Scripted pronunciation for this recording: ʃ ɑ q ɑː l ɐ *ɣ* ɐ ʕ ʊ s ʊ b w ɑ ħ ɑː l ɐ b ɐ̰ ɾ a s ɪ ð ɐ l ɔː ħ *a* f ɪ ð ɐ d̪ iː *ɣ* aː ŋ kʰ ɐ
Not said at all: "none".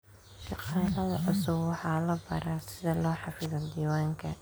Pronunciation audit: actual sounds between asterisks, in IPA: ð, ɑ, w

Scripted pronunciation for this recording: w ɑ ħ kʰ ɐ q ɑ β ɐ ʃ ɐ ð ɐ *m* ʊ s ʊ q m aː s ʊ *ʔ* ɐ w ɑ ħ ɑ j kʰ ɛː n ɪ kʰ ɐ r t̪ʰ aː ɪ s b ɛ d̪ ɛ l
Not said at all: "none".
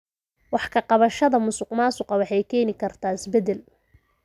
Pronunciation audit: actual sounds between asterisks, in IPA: m, q

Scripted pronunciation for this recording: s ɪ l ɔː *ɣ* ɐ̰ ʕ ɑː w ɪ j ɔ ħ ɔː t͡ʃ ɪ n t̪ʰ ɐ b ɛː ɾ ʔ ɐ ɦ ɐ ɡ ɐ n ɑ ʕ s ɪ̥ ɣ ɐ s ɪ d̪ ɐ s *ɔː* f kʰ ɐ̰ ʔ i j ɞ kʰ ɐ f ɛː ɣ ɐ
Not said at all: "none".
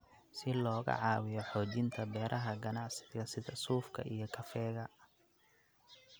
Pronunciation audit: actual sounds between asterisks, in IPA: ɣ, uː

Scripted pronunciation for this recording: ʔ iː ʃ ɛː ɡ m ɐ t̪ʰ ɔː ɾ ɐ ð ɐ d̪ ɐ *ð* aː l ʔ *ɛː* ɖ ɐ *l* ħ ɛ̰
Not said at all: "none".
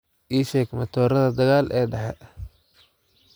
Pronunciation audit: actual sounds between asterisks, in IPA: ɣ, ɛː, none

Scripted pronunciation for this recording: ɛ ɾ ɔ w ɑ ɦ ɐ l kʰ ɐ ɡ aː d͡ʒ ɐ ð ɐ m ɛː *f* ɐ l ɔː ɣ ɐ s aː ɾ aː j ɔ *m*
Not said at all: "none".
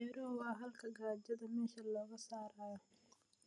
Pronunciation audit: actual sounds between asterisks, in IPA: ʃ, none

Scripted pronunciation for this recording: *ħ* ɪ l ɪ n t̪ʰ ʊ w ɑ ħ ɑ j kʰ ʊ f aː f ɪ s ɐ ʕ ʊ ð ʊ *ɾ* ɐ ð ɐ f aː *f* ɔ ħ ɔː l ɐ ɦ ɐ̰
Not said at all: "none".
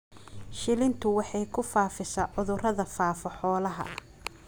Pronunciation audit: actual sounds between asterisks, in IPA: ʃ, r, f

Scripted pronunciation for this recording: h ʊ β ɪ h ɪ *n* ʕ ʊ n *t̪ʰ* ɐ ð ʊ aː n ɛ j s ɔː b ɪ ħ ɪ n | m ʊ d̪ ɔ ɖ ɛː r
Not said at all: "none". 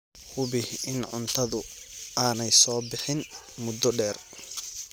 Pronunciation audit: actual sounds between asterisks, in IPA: n, t̪ʰ

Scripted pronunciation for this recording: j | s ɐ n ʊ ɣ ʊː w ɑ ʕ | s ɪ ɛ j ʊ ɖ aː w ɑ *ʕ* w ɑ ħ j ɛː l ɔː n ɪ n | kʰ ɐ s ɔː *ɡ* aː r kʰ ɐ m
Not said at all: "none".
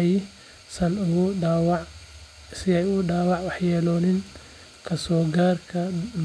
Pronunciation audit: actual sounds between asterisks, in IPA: ʕ, ɡ

